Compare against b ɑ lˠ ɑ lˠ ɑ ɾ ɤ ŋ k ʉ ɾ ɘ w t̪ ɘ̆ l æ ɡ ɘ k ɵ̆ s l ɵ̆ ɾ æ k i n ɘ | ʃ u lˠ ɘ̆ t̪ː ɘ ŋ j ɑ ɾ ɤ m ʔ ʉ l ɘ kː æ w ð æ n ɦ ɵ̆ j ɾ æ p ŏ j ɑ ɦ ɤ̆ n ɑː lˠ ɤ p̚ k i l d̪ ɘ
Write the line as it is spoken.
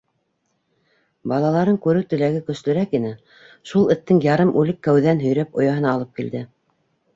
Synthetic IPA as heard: b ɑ lˠ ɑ lˠ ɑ ɾ ɤ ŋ k ʉ ɾ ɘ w t̪ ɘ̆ l æ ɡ ɘ k ɵ̆ s l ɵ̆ ɾ æ k i n ɘ | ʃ u lˠ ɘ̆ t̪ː ɘ ŋ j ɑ ɾ ɤ m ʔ ʉ l ɘ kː æ w ð æ n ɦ ɵ̆ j ɾ æ p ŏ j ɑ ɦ ɤ̆ n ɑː lˠ ɤ p̚ k i l d̪ ɘ